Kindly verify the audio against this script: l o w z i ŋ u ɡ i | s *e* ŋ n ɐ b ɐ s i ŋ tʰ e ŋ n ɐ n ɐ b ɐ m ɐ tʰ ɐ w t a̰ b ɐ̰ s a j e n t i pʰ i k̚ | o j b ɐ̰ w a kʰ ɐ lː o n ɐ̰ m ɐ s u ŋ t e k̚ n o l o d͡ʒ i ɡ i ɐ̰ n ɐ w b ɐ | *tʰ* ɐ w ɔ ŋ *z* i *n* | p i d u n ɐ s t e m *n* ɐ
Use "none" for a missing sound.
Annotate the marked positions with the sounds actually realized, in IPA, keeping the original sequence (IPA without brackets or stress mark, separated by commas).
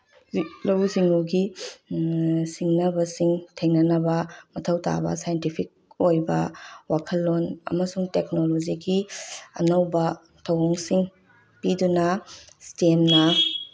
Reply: i, tʰ, s, ŋ, n